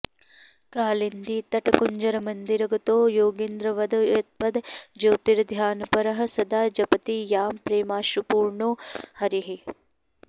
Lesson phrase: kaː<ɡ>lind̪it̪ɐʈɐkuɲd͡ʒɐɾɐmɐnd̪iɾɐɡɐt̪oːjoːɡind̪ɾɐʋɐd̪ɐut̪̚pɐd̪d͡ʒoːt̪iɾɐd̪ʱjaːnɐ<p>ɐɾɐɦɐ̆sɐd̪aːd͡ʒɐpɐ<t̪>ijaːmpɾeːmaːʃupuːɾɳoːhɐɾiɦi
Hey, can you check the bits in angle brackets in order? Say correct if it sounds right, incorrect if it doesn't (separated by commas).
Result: incorrect, correct, correct